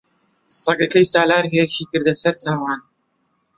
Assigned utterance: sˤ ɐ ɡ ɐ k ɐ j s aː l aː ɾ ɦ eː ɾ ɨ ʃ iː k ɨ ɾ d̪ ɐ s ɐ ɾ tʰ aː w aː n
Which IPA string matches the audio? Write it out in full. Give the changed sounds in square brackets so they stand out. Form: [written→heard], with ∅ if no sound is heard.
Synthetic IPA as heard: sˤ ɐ ɡ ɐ k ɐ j s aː l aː ɾ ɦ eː ɾ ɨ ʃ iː k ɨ ɾ d̪ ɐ s ɐ ɾ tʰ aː w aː n